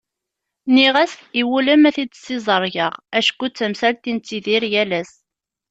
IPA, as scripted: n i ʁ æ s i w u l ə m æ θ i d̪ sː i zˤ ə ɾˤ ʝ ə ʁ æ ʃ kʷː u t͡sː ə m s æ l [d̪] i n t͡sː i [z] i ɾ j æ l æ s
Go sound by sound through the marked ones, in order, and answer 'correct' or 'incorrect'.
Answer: incorrect: t̪, incorrect: ð

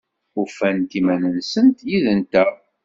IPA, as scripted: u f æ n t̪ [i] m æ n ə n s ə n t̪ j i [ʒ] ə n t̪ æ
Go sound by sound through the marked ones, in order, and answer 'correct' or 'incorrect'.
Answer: correct, incorrect: ð

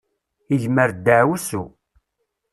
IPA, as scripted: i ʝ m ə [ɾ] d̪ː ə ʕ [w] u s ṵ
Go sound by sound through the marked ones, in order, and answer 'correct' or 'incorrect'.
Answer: correct, correct

